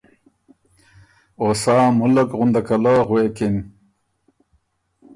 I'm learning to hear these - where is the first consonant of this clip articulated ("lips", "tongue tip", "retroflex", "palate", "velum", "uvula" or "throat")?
tongue tip